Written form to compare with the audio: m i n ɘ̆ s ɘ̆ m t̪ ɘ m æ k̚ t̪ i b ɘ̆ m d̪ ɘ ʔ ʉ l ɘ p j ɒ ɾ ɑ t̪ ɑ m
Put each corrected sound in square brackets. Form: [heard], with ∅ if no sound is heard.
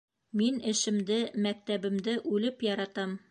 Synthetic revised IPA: m i n ɘ̆ [ʃ] ɘ̆ m [d̪] ɘ m æ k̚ t̪ [æ] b ɘ̆ m d̪ ɘ ʔ ʉ l ɘ p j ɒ ɾ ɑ t̪ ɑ m